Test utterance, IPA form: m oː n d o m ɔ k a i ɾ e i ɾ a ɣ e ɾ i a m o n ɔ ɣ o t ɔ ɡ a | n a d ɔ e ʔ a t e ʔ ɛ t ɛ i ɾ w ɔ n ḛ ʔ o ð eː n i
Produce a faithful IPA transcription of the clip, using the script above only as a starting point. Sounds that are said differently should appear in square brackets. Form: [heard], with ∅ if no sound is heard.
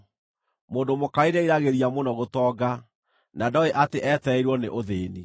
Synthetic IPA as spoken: m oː n d o m [o] k a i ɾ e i ɾ a ɣ e ɾ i a m o n ɔ ɣ o t ɔ ɡ a | n a d ɔ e ʔ a t e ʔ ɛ t ɛ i ɾ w ɔ n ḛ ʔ o ð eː n i